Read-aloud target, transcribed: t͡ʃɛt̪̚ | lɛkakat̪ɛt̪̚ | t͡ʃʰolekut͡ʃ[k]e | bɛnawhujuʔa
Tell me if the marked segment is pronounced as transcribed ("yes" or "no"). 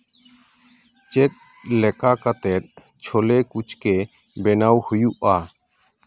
yes